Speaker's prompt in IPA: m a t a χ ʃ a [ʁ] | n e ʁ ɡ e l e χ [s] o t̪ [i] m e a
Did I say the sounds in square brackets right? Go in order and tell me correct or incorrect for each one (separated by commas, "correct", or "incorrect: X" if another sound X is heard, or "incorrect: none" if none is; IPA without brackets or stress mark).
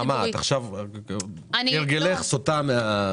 incorrect: v, correct, incorrect: a